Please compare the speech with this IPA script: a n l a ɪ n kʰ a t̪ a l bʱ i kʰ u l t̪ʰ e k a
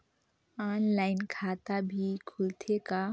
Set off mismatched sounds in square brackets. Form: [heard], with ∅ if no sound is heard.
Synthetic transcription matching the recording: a n l a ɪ n kʰ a t̪ a [∅] bʱ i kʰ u l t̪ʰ e k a